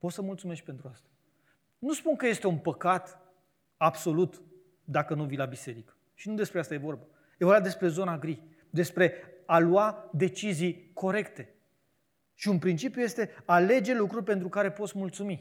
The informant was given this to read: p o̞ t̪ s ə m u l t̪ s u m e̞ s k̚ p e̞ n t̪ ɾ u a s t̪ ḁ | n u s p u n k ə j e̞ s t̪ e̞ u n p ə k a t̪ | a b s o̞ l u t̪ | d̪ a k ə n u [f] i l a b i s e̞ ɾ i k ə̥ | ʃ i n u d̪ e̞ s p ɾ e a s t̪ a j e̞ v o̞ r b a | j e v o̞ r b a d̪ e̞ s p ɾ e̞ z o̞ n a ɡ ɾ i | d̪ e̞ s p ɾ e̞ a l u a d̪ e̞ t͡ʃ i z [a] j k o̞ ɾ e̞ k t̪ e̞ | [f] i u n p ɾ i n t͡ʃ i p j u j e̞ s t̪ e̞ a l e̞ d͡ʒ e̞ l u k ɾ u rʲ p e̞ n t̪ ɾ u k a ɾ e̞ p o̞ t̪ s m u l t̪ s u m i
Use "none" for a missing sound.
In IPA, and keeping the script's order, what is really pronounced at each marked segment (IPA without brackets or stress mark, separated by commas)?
v, i, ʃ